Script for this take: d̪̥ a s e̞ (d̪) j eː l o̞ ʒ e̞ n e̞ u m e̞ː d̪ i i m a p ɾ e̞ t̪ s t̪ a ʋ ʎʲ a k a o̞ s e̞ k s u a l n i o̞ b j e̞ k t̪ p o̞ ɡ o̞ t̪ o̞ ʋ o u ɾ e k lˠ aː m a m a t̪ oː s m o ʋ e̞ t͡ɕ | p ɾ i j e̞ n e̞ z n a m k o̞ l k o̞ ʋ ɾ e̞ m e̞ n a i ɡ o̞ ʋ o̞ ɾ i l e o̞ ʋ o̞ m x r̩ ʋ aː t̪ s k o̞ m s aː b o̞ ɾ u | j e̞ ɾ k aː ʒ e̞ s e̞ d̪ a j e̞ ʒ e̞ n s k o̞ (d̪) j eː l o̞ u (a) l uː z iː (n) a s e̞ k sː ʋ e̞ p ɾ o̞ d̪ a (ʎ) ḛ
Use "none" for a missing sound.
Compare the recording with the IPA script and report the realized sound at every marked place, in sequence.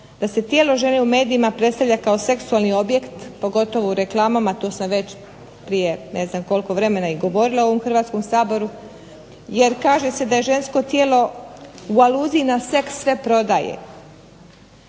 t̪, t̪, a, n, j

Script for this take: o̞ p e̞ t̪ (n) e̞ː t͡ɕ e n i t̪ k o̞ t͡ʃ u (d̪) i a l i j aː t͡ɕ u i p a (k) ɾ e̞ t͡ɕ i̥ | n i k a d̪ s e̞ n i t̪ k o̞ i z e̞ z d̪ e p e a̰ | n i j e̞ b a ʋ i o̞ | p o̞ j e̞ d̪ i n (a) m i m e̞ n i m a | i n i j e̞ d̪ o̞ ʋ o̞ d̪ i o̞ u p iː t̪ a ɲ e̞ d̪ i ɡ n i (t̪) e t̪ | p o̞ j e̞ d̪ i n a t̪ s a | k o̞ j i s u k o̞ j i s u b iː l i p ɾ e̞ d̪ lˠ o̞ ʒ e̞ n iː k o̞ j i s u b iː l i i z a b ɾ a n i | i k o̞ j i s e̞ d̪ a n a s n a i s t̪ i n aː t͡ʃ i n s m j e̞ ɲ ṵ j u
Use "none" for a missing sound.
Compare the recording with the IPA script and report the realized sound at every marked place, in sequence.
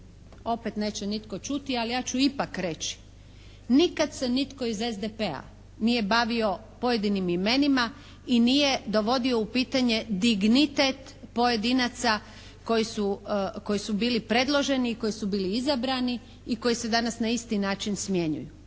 n, t̪, k, i, t̪

